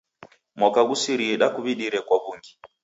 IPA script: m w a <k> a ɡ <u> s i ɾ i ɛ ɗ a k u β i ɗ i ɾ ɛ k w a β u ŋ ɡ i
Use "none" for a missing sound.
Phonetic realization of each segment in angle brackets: k, u

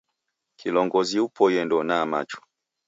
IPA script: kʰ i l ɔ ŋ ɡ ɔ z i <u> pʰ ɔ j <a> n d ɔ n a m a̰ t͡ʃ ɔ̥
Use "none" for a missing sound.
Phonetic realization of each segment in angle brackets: u, ɛ

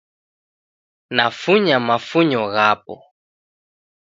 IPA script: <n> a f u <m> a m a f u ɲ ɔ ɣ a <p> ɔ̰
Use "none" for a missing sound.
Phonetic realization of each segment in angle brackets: n, ɲ, p

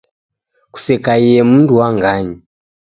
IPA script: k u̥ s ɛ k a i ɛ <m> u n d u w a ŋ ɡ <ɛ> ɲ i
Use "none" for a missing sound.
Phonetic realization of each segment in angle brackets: m, a

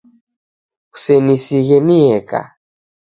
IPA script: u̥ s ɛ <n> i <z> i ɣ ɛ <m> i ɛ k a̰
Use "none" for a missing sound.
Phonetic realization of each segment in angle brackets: n, s, n

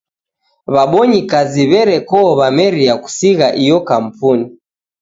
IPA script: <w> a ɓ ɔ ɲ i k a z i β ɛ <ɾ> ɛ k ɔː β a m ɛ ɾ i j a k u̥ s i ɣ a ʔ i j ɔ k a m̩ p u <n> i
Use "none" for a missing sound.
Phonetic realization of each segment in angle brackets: β, ɾ, n

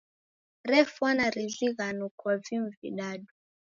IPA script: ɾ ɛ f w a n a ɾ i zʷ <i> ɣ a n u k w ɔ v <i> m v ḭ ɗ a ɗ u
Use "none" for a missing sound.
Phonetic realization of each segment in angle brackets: i, i

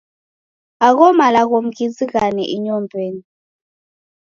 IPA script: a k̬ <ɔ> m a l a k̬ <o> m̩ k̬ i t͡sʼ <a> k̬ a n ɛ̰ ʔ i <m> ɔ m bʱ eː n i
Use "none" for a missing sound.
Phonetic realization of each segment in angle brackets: ɔ, o, i, ɲ

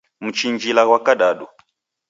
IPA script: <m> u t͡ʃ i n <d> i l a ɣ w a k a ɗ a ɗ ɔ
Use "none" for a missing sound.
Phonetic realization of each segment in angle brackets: m, d͡ʒ

